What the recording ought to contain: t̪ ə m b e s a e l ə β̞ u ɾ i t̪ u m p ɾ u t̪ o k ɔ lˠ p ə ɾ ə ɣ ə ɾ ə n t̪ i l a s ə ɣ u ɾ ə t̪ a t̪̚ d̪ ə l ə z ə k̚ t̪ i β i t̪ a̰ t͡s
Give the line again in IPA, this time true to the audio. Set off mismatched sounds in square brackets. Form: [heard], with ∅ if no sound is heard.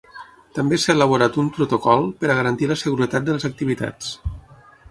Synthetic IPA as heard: t̪ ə m b e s a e l ə β̞ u ɾ [a] t̪ u m p ɾ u t̪ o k ɔ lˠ p ə ɾ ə ɣ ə ɾ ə n t̪ i l [ə] s ə ɣ u ɾ ə t̪ a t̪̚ d̪ ə l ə z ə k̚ t̪ i β i t̪ a̰ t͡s